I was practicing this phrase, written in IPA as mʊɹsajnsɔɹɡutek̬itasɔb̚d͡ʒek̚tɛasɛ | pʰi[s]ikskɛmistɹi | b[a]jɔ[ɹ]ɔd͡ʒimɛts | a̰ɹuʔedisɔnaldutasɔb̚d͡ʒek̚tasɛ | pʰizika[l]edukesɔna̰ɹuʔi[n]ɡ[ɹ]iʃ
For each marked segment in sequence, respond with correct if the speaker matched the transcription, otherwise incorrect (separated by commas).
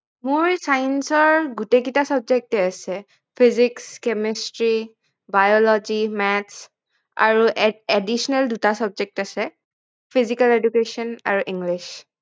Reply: incorrect, correct, incorrect, correct, incorrect, incorrect